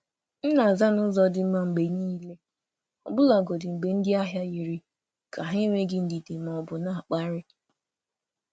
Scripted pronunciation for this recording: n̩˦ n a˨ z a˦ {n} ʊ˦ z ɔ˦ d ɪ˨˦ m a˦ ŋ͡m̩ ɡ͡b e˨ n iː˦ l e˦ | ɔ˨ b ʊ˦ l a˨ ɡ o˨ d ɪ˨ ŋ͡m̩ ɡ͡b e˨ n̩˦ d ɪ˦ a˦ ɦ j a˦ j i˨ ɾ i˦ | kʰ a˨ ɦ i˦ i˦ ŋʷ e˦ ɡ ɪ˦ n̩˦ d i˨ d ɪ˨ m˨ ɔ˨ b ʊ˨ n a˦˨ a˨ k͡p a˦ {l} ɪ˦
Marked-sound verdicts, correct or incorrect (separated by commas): correct, incorrect